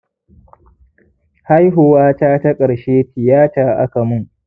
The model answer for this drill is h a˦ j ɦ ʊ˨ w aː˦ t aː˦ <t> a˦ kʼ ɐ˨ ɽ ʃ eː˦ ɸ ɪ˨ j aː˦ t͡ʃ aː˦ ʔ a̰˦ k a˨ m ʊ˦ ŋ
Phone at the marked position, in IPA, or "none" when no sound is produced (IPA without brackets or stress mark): t